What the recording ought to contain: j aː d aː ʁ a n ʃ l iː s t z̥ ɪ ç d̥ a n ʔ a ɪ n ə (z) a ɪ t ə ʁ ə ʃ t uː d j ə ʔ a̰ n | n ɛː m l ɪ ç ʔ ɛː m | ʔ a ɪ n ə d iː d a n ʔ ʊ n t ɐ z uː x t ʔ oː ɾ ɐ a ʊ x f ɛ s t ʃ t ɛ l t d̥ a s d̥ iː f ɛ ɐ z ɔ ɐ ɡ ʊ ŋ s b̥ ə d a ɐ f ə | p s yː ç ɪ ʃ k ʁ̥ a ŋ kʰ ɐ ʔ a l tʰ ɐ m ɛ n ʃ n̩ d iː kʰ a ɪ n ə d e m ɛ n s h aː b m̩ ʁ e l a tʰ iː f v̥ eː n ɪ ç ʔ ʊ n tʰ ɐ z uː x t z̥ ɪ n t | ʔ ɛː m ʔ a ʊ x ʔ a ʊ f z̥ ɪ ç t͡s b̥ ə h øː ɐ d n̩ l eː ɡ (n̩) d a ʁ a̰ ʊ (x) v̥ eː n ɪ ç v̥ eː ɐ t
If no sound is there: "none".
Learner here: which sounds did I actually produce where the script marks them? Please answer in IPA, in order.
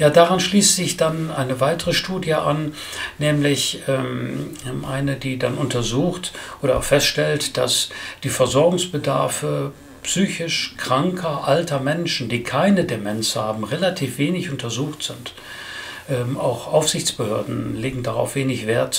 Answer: v, ŋ̩, f

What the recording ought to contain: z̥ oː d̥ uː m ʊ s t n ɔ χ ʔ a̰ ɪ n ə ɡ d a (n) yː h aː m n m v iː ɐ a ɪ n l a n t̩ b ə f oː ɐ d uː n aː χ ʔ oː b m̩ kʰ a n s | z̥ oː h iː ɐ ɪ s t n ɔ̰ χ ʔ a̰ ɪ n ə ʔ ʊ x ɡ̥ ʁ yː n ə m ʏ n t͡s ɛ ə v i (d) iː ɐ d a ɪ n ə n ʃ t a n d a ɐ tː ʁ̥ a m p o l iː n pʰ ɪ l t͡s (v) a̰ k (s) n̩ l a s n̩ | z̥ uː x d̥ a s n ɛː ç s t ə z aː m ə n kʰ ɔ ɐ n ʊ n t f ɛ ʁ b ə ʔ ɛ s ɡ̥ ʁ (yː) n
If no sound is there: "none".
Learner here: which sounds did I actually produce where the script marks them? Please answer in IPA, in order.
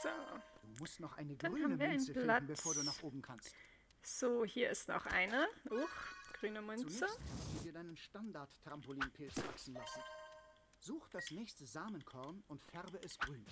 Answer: n, d, v, s, yː

